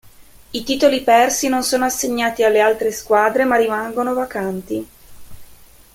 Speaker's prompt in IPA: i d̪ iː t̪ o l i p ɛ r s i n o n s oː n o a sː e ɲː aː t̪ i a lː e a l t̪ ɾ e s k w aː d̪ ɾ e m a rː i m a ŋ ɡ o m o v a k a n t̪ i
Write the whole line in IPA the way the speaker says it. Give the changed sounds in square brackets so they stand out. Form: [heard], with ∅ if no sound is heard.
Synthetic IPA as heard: i [t̪] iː t̪ o l i p ɛ r s i n o n s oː n o a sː e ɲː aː t̪ i a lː e a l t̪ ɾ e s k w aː d̪ ɾ e m a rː i m a ŋ ɡ o [n] o v a k a n t̪ i